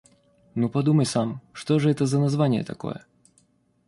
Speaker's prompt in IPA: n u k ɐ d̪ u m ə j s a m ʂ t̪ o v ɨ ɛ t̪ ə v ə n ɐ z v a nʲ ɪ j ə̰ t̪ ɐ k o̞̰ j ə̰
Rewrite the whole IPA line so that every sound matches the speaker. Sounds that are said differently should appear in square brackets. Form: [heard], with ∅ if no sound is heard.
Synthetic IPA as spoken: n u [p] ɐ d̪ u m ə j s a m ʂ t̪ o [ʐ] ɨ ɛ t̪ ə [z] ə n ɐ z v a nʲ ɪ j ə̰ t̪ ɐ k o̞̰ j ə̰